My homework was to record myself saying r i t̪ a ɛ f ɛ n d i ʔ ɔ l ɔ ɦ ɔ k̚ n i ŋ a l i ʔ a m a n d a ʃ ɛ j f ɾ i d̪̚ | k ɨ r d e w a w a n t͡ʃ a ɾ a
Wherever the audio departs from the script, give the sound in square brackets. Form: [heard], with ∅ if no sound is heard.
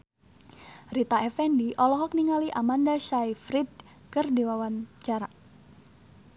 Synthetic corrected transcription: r i t̪ a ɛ f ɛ n d i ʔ ɔ l ɔ ɦ ɔ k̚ n i ŋ a l i ʔ a m a n d a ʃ [a] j f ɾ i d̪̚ | k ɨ r d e w a w a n t͡ʃ a ɾ a